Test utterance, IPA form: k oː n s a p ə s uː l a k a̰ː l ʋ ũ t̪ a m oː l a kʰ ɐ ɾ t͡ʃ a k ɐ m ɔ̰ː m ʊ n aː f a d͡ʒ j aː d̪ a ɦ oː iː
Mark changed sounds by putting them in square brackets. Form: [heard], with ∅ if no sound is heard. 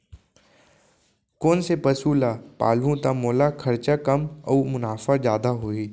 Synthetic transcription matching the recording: k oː n s [e] p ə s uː l a [p] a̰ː l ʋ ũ t̪ a m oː l a kʰ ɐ ɾ t͡ʃ a k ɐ m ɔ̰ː m ʊ n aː f a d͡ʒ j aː d̪ a ɦ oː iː